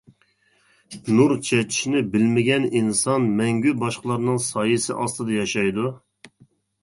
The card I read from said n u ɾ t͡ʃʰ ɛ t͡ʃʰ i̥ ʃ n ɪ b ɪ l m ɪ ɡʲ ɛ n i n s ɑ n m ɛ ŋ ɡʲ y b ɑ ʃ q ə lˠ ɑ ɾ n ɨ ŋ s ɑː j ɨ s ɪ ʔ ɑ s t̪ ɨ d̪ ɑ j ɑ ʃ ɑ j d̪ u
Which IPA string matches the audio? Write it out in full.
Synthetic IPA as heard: n u ɾ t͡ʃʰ ɛ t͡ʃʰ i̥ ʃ n ɪ b ɪ l m ɪ ɡʲ ɛ n i n s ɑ n m ɛ ŋ ɡʲ y b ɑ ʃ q ə lˠ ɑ ɾ n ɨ ŋ s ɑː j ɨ s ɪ ʔ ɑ s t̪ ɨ d̪ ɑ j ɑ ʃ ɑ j d̪ u